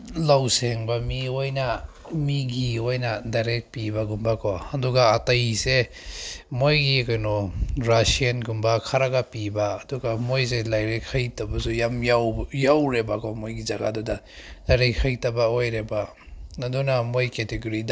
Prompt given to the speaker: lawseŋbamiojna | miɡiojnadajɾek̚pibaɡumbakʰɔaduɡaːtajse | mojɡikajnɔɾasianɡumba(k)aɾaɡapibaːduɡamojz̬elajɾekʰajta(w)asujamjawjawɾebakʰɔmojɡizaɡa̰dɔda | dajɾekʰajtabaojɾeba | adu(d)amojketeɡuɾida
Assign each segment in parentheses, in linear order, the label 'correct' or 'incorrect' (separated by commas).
incorrect, incorrect, incorrect